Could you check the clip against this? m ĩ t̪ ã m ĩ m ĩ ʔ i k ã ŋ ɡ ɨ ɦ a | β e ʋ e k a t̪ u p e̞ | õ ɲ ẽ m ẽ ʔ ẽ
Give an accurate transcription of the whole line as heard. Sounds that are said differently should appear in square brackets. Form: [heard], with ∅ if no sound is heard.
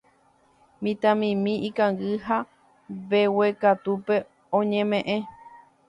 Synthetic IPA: m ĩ t̪ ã m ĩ m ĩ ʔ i k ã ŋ ɡ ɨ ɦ a | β e [w] e k a t̪ u p e̞ | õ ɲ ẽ m ẽ ʔ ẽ